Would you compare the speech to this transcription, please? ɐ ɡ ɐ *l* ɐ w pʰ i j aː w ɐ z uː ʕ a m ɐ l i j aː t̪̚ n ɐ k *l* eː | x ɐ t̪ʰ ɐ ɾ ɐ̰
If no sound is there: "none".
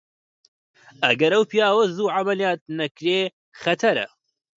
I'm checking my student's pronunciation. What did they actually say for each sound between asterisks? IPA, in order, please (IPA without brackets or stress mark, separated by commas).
ɾ, ɾ